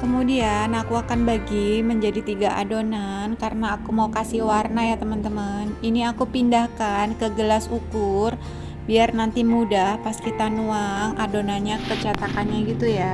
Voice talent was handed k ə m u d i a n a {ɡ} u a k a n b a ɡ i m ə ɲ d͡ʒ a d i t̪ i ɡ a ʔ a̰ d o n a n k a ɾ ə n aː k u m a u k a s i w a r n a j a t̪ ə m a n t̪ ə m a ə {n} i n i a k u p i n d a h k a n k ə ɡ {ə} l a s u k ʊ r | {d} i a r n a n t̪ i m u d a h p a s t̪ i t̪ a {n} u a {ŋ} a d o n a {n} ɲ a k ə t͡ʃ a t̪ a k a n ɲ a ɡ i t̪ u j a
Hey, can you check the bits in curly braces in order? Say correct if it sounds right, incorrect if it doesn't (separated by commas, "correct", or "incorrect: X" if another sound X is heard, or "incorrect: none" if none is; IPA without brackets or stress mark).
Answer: incorrect: k, correct, correct, incorrect: b, correct, correct, correct